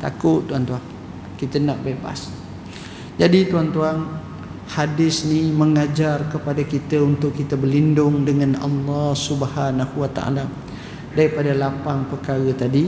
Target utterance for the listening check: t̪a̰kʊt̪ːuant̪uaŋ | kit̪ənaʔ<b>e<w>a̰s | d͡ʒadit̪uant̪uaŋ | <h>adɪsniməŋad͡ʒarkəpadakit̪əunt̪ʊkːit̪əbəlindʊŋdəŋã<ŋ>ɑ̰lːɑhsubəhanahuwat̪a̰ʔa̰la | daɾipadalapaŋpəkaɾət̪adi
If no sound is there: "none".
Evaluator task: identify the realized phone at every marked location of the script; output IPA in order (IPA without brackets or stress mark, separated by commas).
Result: b, b, h, n